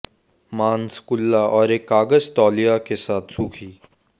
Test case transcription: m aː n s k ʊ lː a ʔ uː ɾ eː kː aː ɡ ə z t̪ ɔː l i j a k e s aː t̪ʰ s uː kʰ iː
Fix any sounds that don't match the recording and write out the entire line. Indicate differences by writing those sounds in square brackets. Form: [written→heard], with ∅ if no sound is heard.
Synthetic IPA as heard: m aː n s k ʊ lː a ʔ [uː→ɔː] ɾ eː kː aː ɡ ə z t̪ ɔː l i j a k e s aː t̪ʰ s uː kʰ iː

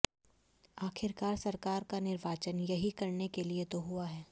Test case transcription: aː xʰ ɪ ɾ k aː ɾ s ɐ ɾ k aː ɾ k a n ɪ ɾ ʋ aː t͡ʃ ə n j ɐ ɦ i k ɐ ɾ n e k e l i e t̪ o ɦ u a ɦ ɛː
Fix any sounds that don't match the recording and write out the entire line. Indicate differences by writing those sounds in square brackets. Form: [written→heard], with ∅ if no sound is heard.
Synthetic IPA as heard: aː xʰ ɪ ɾ k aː ɾ s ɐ ɾ k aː ɾ k a n ɪ ɾ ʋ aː t͡ʃ ə n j ɐ ɦ i k ɐ ɾ n e k e l i e t̪ o ɦ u a ɦ ɛː

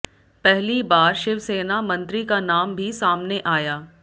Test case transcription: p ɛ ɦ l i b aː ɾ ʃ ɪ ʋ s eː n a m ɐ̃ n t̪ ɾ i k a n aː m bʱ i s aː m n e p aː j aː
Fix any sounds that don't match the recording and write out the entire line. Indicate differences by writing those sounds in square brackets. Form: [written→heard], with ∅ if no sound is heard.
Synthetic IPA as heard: p ɛ ɦ l i b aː ɾ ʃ ɪ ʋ s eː n a m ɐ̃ n t̪ ɾ i k a n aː m bʱ i s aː m n e [p→ʔ] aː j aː

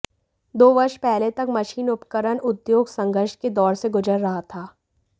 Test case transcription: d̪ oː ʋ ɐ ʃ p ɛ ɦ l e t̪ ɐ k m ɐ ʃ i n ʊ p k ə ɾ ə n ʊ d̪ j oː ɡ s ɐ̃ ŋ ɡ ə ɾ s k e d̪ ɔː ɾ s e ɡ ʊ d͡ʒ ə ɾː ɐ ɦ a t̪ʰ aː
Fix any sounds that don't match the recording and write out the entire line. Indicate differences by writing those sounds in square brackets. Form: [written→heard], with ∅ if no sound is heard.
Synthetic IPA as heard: d̪ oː ʋ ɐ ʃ p ɛ ɦ l e t̪ ɐ k m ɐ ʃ [i→iː] n ʊ p k ə ɾ ə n ʊ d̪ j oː ɡ s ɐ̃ ŋ ɡ ə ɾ [s→ʃ] k e d̪ ɔː ɾ s e ɡ ʊ d͡ʒ ə ɾː ɐ ɦ a t̪ʰ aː

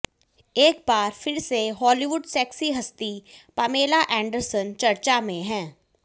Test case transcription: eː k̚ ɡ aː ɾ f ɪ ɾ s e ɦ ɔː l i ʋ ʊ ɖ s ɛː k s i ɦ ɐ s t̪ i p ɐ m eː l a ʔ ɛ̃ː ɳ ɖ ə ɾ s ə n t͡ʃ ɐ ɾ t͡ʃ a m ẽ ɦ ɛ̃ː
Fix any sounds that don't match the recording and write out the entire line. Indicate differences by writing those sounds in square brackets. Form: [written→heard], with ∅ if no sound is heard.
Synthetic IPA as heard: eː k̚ [ɡ→b] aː ɾ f ɪ ɾ s e ɦ ɔː l i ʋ ʊ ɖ s ɛː k s i ɦ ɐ s t̪ i p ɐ m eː l a ʔ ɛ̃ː ɳ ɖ ə ɾ s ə n t͡ʃ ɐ ɾ t͡ʃ a m ẽ ɦ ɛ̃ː

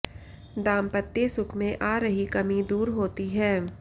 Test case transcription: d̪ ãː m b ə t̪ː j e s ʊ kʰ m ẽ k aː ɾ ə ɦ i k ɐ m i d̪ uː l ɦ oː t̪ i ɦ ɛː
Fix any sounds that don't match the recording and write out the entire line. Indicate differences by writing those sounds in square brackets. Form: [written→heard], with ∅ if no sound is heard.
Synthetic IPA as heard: d̪ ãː m [b→p] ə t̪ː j e s ʊ kʰ m ẽ [k→ʔ] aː ɾ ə ɦ i k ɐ m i d̪ uː [l→ɾ] ɦ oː t̪ i ɦ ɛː

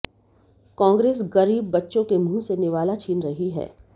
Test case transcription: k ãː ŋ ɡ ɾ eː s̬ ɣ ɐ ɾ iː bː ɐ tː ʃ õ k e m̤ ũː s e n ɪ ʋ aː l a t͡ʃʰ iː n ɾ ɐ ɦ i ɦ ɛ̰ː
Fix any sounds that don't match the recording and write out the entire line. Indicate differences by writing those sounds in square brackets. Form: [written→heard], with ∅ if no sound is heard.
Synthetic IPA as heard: k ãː ŋ ɡ ɾ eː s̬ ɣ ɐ ɾ iː bː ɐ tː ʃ õ k e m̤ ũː s e n ɪ ʋ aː l a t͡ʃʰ iː n ɾ ɐ ɦ i ɦ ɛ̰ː

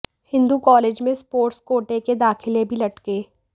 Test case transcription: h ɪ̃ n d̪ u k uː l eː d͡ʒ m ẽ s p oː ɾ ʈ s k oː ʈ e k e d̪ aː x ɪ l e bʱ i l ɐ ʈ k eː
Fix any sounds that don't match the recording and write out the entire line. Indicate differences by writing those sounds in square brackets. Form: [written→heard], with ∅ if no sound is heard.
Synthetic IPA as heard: h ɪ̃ n d̪ u k [uː→ɔː] l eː d͡ʒ m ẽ s p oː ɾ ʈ s k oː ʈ e k e d̪ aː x ɪ l e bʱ i l ɐ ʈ k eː

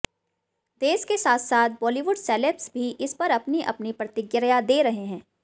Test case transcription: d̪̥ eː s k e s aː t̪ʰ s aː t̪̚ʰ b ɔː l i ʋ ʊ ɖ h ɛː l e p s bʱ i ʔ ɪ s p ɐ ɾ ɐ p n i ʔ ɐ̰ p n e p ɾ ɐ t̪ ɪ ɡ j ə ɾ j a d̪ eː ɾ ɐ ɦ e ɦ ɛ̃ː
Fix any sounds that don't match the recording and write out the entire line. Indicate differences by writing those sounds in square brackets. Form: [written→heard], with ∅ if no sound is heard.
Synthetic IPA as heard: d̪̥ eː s k e s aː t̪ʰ s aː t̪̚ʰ b ɔː l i ʋ ʊ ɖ [h→s] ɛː l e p s bʱ i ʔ ɪ s p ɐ ɾ ɐ p n i ʔ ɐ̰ p n [e→i] p ɾ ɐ t̪ ɪ ɡ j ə ɾ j a d̪ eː ɾ ɐ ɦ e ɦ ɛ̃ː

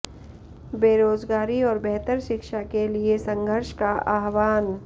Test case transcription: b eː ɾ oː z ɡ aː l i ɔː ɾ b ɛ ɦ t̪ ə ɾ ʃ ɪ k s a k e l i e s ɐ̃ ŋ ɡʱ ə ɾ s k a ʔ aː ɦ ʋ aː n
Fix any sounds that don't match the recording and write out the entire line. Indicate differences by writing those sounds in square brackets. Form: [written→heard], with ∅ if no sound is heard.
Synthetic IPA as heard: b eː ɾ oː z ɡ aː [l→ɾ] i ɔː ɾ b ɛ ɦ t̪ ə ɾ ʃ ɪ k [s→ʃ] a k e l i e s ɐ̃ ŋ ɡʱ ə ɾ [s→ʃ] k a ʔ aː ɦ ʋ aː n

